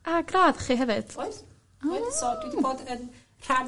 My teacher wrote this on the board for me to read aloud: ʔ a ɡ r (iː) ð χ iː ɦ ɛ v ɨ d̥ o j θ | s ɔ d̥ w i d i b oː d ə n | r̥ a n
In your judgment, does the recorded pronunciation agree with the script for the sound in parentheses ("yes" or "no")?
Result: no